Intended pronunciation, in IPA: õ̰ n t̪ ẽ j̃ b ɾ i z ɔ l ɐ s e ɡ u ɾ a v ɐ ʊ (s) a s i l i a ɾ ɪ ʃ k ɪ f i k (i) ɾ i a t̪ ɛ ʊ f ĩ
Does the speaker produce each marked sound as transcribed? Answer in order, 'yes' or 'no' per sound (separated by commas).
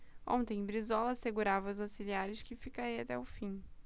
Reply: no, no